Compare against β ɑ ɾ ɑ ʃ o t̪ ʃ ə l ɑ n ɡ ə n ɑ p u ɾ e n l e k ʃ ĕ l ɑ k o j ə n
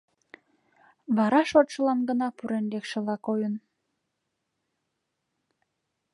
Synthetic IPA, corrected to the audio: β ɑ ɾ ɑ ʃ o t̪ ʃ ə l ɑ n ɡ ə n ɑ p u ɾ e n l e k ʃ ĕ l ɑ k o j ə n